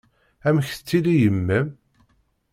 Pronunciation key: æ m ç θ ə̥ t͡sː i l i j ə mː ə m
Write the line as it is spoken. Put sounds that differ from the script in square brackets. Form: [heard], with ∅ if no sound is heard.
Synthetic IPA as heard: æ m ç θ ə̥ t͡sː i l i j ə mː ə m